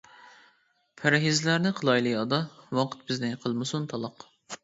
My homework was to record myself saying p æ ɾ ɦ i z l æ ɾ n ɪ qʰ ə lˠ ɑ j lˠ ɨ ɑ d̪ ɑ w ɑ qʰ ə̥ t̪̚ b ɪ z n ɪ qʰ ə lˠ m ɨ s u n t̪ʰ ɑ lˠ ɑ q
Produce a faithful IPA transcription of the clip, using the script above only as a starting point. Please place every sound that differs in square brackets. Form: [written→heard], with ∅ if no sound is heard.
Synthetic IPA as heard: [p→pʰ] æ ɾ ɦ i z l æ ɾ n ɪ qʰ ə lˠ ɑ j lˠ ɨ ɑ d̪ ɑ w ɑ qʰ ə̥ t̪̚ b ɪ z n ɪ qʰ ə lˠ m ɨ s u n t̪ʰ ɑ lˠ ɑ q